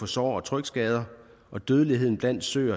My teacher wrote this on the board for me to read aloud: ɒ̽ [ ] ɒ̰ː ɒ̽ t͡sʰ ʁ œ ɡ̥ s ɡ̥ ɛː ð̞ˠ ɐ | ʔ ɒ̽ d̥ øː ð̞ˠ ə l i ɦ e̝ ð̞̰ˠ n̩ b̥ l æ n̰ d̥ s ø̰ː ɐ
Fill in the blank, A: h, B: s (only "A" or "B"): B